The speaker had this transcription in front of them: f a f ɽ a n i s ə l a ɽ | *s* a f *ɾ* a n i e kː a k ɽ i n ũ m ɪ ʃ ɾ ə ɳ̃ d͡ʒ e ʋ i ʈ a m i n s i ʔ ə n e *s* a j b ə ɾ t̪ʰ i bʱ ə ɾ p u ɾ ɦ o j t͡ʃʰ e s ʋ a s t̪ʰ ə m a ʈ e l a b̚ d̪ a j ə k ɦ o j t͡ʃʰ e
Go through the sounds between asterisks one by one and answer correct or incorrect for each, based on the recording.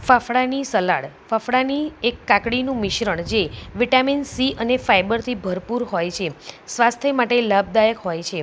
incorrect: f, incorrect: ɽ, incorrect: f

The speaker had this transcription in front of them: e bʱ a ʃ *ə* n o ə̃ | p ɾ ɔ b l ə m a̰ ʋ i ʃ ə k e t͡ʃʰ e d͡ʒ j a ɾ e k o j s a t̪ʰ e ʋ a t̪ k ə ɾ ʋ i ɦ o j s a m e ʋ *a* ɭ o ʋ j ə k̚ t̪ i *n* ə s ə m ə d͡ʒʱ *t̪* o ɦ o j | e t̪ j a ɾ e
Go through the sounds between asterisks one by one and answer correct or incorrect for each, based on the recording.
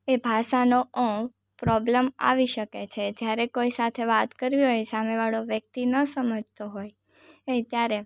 incorrect: a, correct, correct, correct

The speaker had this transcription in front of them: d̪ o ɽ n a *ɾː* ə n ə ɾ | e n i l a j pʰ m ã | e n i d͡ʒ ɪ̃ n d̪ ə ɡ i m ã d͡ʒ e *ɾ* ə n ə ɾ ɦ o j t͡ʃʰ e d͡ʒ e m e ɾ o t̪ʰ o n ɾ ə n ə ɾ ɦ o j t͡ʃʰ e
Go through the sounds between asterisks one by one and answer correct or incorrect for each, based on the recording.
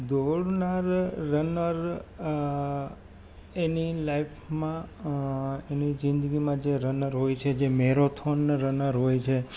correct, correct

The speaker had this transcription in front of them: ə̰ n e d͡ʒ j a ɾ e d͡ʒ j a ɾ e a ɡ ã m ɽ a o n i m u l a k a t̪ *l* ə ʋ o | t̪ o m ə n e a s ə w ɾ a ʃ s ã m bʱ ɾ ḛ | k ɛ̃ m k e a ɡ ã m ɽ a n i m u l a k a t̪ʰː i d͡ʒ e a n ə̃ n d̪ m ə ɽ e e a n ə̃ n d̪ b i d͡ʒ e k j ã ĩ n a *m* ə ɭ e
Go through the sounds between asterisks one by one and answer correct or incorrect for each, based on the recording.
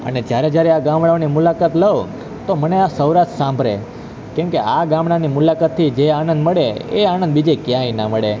correct, correct

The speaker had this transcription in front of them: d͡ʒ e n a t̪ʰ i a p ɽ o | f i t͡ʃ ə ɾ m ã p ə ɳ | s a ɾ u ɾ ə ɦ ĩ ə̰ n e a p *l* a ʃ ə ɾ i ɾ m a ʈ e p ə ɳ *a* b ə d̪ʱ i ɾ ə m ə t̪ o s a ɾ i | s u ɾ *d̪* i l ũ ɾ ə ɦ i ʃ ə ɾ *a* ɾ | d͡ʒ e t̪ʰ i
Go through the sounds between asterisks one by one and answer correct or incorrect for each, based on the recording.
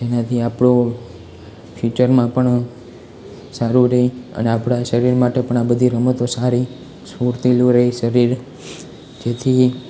incorrect: ɽ, correct, incorrect: t̪, incorrect: i

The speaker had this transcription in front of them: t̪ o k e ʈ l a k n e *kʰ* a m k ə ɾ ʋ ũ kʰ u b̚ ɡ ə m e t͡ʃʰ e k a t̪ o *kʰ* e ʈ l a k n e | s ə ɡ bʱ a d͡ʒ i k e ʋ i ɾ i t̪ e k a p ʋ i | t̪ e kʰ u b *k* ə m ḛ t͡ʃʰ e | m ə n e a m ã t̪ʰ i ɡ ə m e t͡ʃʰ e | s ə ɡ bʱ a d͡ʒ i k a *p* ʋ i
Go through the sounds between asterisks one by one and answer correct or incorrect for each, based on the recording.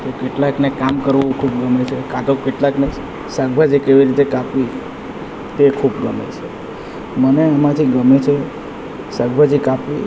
incorrect: k, incorrect: k, incorrect: ɡ, correct

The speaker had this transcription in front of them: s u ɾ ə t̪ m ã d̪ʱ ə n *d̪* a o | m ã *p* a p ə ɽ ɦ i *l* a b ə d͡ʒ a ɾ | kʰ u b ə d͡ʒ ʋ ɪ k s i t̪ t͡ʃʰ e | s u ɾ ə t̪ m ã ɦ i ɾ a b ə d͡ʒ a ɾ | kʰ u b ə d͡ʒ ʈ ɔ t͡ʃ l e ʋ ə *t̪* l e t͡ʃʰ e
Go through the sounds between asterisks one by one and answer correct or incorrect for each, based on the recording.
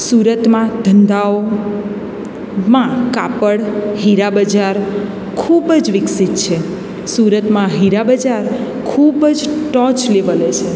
correct, incorrect: k, incorrect: ɾ, incorrect: none

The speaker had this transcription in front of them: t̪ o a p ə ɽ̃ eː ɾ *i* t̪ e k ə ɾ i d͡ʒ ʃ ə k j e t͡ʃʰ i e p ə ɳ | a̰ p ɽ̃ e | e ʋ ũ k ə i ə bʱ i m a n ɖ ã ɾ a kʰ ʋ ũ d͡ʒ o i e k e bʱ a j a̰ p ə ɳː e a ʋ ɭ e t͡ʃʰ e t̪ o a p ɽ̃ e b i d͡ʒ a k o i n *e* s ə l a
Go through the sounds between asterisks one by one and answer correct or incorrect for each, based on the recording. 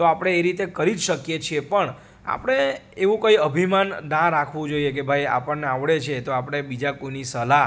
correct, incorrect: i

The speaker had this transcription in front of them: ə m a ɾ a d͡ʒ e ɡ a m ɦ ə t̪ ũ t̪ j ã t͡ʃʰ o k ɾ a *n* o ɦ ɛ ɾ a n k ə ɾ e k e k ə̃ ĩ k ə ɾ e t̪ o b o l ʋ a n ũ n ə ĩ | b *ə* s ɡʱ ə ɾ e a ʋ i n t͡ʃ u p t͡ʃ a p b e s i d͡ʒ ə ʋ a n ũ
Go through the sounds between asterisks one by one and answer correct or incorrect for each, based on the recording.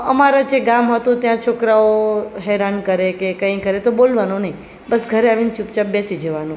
incorrect: none, correct

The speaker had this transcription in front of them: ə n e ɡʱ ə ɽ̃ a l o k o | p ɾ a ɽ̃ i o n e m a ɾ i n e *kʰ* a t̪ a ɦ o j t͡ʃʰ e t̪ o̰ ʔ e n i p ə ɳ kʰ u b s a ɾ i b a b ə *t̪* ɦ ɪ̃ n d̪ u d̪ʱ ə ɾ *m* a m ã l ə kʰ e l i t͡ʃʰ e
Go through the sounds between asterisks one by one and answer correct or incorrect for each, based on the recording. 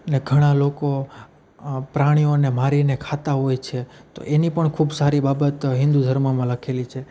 correct, correct, correct

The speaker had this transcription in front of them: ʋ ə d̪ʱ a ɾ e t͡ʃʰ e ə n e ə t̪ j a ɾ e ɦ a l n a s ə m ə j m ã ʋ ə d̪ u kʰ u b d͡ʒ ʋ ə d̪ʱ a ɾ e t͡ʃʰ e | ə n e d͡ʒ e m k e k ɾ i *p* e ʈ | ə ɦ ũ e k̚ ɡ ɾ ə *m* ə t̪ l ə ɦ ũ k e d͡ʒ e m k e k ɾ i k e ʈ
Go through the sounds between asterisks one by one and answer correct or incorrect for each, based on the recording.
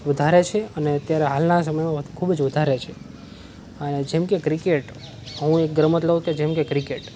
incorrect: k, correct

